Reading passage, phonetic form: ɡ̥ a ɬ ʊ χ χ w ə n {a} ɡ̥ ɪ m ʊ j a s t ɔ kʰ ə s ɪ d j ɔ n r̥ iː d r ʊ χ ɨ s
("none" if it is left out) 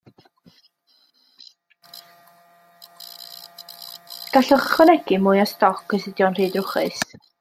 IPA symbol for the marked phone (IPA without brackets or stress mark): ɛ